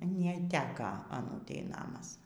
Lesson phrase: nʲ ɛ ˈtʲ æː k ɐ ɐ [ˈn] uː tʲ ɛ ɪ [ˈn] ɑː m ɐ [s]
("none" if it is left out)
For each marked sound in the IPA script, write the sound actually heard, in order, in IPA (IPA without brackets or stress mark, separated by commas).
n, n, s